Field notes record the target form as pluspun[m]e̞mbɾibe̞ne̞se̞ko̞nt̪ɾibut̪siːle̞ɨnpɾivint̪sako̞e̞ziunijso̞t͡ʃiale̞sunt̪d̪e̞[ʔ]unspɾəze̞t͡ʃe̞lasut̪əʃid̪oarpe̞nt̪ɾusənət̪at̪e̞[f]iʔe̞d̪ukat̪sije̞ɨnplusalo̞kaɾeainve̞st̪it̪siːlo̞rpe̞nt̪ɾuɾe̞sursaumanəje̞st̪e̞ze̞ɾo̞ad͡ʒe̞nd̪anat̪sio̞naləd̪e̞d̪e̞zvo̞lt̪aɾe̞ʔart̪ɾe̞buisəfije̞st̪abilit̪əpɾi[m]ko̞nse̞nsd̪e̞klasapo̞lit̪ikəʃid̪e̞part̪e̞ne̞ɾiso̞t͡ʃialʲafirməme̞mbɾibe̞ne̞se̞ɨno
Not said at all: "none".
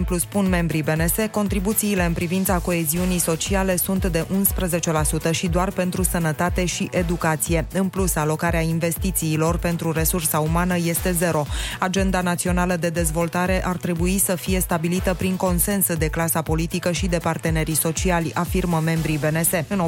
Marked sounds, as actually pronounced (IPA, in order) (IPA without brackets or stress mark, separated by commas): m, ʔ, ʃ, ŋ